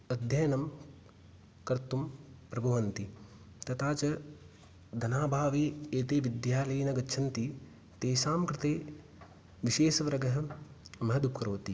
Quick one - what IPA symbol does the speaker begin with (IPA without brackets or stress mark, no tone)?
ɐ